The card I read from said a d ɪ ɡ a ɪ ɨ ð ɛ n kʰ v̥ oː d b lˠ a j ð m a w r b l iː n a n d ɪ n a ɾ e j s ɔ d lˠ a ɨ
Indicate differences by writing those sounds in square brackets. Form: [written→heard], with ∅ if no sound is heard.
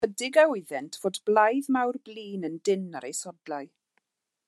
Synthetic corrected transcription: [a→ə] d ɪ ɡ a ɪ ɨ ð ɛ n [kʰ→tʰ] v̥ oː d b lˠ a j ð m a w r b l iː n [a→ə] n d ɪ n a ɾ e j s ɔ d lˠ a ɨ